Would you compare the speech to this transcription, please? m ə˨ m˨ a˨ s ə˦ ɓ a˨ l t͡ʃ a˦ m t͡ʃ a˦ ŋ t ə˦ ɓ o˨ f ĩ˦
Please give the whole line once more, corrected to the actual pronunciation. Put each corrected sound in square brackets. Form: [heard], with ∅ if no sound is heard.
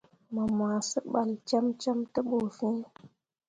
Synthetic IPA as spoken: m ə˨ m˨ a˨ s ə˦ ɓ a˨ l t͡ʃ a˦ m t͡ʃ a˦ [m] t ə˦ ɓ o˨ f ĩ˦